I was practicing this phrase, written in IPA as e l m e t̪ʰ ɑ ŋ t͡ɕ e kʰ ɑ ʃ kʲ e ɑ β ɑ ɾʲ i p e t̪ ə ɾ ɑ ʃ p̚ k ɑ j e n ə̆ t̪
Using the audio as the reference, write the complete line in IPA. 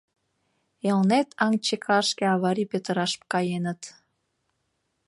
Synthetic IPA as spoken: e l n e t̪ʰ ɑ ŋ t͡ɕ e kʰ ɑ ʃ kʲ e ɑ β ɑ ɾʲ i p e t̪ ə ɾ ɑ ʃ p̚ k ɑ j e n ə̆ t̪

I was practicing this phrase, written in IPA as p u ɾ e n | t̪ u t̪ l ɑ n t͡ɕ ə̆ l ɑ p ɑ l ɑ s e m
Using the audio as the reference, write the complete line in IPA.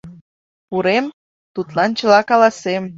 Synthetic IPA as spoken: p u ɾ e m | t̪ u t̪ l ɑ n t͡ɕ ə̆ l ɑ k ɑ l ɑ s e m

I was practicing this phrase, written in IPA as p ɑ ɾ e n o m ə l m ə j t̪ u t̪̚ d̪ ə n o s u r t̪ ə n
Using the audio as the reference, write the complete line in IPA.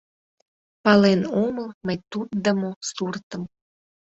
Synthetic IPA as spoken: p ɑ l e n o m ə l m ə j t̪ u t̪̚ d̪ ə m o s u r t̪ ə m

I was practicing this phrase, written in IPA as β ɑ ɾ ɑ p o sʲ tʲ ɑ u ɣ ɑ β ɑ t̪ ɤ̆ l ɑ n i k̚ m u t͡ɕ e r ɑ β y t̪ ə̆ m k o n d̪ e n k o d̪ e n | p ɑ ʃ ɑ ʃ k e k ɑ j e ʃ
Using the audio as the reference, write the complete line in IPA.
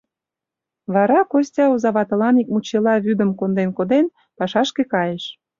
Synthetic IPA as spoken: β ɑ ɾ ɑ k o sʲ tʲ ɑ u z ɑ β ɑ t̪ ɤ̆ l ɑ n i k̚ m u t͡ɕ e l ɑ β y d̪ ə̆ m k o n d̪ e n k o d̪ e n | p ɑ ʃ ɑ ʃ k e k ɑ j e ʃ

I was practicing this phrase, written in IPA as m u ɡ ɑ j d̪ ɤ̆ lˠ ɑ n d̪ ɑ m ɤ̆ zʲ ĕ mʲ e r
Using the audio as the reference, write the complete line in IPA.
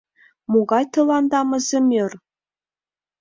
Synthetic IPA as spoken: m u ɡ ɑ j t̪ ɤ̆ lˠ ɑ n d̪ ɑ m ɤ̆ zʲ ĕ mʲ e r

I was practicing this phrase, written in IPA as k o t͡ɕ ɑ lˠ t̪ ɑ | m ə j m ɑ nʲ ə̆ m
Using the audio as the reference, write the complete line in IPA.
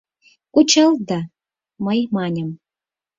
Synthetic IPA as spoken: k u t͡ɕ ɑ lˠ d̪ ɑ | m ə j m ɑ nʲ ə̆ m

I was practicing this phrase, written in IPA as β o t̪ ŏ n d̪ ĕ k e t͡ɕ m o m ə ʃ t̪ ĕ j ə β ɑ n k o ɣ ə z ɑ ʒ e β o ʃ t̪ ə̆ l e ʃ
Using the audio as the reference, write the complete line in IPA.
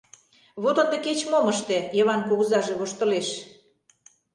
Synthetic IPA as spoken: β o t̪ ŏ n d̪ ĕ k e t͡ɕ m o m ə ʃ t̪ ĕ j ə β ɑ n k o ɣ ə z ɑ ʒ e β o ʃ t̪ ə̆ l e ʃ

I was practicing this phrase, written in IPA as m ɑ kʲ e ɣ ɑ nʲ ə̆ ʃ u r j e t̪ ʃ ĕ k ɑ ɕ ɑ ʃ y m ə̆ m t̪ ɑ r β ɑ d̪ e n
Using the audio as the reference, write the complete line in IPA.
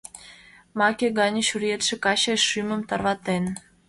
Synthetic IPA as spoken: m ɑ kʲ e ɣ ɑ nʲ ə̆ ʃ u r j e t̪ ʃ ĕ k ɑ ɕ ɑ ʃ y m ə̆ m t̪ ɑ r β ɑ t̪ e n

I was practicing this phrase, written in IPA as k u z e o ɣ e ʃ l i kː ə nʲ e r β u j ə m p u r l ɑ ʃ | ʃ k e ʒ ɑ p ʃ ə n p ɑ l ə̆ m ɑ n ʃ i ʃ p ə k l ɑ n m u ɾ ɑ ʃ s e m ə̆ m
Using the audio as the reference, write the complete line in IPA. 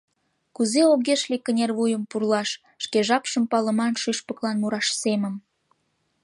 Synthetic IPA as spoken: k u z e o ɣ e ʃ l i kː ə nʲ e r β u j ə m p u r l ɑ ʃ | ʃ k e ʒ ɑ p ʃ ə m p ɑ l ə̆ m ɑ n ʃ y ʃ p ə k l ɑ n m u ɾ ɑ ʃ s e m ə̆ m

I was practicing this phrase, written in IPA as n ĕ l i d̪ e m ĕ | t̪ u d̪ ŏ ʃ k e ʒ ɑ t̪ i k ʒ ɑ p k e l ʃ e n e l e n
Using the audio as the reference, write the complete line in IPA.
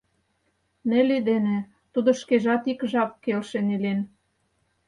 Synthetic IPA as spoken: n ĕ l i d̪ e n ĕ | t̪ u d̪ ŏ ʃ k e ʒ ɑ t̪ i k ʒ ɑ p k e l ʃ e n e l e n

